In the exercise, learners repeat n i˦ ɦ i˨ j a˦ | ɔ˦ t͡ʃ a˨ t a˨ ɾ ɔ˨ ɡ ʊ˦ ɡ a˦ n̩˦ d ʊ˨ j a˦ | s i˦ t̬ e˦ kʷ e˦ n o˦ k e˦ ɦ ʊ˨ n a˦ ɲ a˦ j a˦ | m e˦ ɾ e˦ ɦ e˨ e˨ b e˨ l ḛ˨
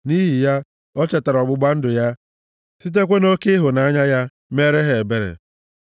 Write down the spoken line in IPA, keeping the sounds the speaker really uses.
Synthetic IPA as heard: n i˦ ɦ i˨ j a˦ | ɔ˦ t͡ʃ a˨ t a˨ ɾ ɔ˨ ɡ͡b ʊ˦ ɡ͡b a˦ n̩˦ d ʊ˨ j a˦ | s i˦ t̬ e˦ kʷ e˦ n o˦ k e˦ ɦ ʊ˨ n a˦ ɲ a˦ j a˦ | m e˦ ɾ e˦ ɦ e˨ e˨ b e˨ ɾ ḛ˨